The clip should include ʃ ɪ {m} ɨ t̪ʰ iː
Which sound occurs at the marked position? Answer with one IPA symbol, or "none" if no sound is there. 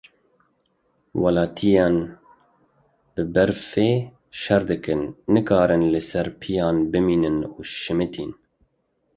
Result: m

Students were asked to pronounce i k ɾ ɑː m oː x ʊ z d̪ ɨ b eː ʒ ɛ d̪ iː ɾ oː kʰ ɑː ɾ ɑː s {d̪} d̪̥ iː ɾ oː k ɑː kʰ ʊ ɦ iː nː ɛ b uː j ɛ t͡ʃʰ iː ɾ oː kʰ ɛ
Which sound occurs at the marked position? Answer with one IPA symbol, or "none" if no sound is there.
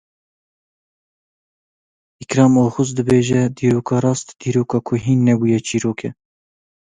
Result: t̪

